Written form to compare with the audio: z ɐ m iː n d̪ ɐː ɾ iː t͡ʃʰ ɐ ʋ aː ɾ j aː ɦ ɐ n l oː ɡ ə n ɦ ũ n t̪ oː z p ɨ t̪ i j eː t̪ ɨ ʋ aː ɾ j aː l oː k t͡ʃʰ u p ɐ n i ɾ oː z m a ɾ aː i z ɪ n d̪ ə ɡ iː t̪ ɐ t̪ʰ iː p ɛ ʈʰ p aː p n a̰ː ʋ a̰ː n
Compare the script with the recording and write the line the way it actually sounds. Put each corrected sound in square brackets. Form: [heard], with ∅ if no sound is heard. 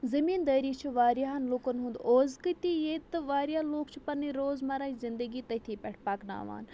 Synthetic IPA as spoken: z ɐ m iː n d̪ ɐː ɾ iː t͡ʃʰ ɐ ʋ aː ɾ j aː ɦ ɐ n l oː [k] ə n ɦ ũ n [d̪] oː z [k] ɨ t̪ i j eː t̪ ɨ ʋ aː ɾ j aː l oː k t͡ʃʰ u p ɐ n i ɾ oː z m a ɾ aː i z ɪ n d̪ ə ɡ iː t̪ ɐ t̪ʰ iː p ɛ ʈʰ p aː [k] n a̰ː ʋ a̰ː n